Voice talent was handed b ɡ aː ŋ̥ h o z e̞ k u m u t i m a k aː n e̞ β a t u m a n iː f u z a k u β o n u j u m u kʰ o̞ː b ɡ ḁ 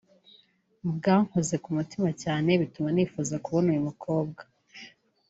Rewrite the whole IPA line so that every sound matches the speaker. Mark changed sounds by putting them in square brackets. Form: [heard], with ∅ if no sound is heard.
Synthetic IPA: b ɡ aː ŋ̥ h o z e̞ k u m u t i m a [c] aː n e̞ β [i] t u m a n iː f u z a k u β o n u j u m u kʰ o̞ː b ɡ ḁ